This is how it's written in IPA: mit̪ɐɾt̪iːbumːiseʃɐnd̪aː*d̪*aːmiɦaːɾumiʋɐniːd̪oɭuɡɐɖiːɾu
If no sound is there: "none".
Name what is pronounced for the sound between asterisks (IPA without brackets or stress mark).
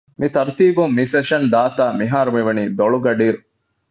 t̪